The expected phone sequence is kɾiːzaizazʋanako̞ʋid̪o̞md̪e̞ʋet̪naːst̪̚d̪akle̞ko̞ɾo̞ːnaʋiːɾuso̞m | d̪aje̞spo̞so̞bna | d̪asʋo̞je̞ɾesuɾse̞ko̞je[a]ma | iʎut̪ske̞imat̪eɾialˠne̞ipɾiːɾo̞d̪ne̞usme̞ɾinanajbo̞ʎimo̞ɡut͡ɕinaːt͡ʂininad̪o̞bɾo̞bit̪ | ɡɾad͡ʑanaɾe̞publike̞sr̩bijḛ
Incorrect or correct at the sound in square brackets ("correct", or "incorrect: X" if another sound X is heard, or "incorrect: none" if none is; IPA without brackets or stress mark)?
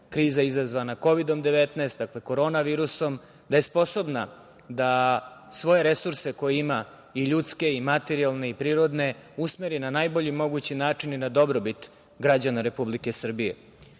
incorrect: i